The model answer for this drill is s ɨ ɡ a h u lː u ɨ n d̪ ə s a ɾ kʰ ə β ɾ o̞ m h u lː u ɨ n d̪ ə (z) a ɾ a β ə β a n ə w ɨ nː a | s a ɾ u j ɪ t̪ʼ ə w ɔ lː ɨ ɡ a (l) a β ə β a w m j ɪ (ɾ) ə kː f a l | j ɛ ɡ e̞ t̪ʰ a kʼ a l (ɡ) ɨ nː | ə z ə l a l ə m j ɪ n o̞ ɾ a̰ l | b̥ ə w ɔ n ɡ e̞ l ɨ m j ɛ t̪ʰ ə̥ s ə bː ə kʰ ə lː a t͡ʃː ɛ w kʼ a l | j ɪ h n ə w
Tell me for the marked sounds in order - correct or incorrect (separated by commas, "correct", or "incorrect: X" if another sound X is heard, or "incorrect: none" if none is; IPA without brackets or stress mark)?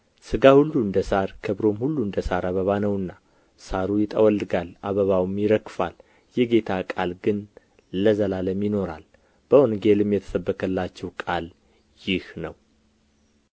incorrect: s, correct, correct, correct